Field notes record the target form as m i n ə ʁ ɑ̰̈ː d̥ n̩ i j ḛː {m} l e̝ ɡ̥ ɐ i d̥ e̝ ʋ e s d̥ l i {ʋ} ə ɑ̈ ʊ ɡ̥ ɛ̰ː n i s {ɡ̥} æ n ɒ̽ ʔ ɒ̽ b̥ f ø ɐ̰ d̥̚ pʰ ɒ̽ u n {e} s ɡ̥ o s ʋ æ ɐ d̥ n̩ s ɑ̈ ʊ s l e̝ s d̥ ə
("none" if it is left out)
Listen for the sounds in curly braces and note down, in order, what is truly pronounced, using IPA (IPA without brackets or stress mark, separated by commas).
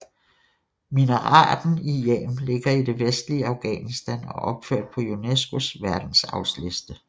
m, none, d̥, e